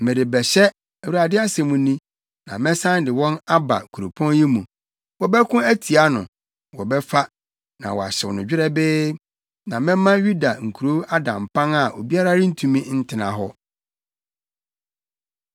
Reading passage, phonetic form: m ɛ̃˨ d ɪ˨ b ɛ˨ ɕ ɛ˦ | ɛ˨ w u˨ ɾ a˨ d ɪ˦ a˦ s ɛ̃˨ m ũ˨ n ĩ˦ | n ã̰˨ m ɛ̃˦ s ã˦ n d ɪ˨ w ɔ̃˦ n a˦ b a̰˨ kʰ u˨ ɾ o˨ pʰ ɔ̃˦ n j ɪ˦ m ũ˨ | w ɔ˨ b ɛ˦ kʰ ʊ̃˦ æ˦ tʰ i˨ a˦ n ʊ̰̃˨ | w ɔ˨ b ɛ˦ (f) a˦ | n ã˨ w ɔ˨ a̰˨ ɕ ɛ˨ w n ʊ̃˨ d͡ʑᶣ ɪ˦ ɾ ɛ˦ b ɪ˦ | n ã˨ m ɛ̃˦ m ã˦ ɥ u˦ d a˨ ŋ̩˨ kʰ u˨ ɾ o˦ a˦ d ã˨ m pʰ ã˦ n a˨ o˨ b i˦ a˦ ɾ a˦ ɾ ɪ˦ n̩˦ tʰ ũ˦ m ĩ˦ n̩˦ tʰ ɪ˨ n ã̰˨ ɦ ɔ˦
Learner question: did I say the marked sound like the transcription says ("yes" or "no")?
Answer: yes